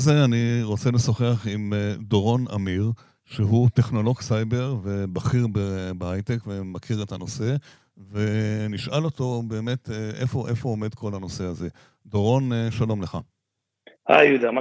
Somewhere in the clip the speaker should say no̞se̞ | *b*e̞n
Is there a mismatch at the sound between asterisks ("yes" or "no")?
yes